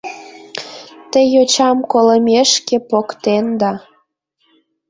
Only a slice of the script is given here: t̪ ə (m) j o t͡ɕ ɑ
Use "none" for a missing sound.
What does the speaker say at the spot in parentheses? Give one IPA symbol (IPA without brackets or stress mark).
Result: none